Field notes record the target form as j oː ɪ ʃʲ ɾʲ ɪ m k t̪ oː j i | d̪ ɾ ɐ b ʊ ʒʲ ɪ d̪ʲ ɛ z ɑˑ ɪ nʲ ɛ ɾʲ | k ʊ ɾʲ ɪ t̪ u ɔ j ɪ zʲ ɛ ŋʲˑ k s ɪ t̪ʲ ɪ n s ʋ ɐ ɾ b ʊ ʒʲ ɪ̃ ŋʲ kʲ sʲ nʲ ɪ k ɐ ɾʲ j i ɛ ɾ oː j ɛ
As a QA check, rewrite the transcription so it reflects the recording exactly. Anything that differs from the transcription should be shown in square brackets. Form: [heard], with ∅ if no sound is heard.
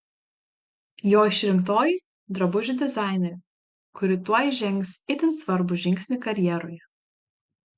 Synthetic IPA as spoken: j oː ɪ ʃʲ ɾʲ ɪ m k t̪ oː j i | d̪ ɾ ɐ b ʊ ʒʲ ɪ d̪ʲ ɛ z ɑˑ ɪ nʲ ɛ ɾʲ | k ʊ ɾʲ ɪ t̪ u ɔ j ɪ [ʒʲ] ɛ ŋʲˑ k s ɪ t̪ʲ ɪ n s ʋ ɐ ɾ b ʊ ʒʲ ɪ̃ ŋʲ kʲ sʲ nʲ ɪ k ɐ ɾʲ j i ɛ ɾ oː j ɛ